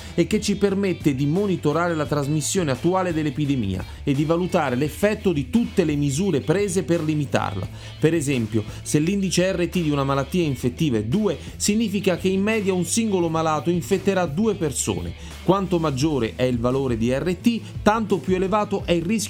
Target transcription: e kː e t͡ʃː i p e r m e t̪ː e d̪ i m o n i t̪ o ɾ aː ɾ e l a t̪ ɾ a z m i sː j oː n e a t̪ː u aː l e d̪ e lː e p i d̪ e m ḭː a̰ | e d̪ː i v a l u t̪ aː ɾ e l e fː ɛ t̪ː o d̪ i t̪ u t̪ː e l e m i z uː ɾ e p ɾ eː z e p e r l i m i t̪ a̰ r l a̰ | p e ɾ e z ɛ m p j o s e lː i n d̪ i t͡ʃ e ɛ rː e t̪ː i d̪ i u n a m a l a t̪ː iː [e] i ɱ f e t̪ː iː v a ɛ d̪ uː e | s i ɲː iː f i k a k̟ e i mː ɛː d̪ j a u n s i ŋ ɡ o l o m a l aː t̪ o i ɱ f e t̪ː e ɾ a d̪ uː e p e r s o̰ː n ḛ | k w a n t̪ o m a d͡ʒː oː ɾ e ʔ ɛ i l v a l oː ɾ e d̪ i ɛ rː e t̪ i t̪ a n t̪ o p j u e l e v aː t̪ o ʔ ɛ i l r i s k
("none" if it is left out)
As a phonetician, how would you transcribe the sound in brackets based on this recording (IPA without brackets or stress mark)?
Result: a